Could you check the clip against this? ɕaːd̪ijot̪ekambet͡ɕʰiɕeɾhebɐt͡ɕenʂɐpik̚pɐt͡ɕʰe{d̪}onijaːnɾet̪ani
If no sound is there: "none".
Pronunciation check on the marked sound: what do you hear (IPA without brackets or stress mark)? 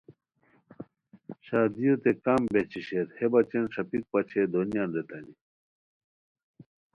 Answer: d̪